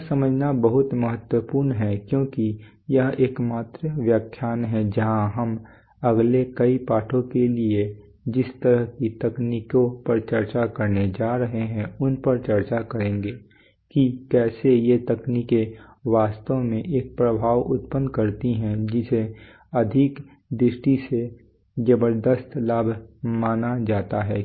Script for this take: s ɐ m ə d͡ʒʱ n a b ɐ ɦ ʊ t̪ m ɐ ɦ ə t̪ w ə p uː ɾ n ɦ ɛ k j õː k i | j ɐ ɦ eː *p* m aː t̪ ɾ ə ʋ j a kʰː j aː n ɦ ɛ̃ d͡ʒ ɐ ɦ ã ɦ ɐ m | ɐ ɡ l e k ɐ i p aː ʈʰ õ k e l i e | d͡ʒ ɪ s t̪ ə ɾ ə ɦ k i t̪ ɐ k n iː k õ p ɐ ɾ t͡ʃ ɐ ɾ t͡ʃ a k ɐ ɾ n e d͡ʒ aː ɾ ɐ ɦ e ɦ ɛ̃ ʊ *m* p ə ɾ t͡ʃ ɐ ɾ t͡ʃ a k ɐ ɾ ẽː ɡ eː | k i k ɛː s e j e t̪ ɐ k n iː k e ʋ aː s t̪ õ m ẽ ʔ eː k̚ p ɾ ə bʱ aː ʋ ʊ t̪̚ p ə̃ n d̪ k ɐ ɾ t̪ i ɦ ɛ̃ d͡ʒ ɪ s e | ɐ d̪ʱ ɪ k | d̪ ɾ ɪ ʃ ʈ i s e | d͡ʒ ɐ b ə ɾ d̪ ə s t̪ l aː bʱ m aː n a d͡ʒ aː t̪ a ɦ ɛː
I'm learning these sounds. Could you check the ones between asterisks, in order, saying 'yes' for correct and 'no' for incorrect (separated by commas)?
no, no